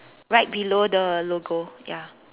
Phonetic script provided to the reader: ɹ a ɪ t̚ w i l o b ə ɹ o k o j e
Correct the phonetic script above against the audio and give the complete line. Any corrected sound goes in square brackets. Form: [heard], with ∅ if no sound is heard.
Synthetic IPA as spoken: ɹ a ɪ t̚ [b] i l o [d] ə [l] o [ɡ] o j [a]